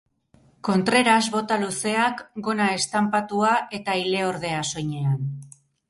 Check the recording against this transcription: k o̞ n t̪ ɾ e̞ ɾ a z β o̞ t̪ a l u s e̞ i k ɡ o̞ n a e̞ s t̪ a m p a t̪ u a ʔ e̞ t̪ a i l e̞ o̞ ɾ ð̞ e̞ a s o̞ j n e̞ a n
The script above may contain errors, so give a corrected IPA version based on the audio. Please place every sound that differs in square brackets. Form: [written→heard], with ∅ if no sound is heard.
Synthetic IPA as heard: k o̞ n t̪ ɾ e̞ ɾ a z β o̞ t̪ a l u s e̞ [i→a] k ɡ o̞ n a e̞ s t̪ a m p a t̪ u a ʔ e̞ t̪ a i l e̞ o̞ ɾ ð̞ e̞ a s o̞ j [n→ɲ] e̞ a n